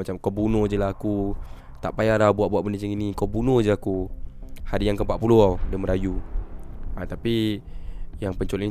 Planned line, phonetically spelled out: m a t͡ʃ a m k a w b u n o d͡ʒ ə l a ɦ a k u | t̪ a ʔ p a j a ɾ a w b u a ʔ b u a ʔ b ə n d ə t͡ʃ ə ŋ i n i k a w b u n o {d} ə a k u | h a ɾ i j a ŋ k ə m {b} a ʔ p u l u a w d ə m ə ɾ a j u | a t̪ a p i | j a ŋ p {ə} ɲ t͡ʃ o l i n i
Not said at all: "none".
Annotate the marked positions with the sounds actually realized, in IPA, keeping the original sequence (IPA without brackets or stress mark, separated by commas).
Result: d͡ʒ, p, ə